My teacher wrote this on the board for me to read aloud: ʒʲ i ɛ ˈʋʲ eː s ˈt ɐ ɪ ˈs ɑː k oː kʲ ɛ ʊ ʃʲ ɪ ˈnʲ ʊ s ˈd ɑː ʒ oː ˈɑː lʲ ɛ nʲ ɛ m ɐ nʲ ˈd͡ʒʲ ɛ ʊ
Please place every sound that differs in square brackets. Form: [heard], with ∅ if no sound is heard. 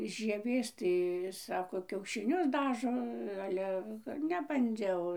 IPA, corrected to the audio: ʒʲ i ɛ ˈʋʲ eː s ˈt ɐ ɪ ˈs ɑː k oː kʲ ɛ ʊ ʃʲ ɪ ˈnʲ ʊ s ˈd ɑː ʒ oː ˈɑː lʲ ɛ nʲ ɛ [b] ɐ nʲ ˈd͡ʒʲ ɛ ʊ